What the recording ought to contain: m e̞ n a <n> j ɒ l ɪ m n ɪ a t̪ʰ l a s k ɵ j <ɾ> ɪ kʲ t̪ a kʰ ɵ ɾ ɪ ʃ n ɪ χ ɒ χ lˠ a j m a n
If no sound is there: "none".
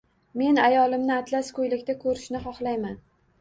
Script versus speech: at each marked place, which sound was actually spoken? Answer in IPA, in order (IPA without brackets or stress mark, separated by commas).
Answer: none, l